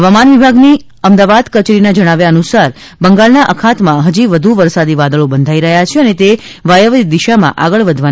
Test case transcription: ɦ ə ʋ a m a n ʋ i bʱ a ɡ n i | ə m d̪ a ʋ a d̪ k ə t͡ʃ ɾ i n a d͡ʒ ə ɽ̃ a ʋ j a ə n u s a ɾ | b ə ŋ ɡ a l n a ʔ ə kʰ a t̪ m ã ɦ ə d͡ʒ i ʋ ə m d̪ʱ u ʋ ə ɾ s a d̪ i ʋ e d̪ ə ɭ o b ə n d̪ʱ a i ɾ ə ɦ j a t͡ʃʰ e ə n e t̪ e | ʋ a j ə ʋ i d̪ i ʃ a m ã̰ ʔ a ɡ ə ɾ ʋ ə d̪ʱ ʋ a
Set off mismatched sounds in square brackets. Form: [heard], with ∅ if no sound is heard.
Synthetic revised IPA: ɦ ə ʋ a m a n ʋ i bʱ a ɡ n i | ə m d̪ a ʋ a d̪ k ə t͡ʃ ɾ i n a d͡ʒ ə ɽ̃ a ʋ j a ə n u s a ɾ | b ə ŋ ɡ a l n a ʔ ə kʰ a t̪ m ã ɦ ə d͡ʒ i ʋ ə [∅] d̪ʱ u ʋ ə ɾ s a d̪ i ʋ [a] d̪ ə ɭ o b ə n d̪ʱ a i ɾ ə ɦ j a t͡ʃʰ e ə n e t̪ e | ʋ a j ə ʋ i d̪ i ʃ a m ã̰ ʔ a ɡ ə [ɭ] ʋ ə d̪ʱ ʋ a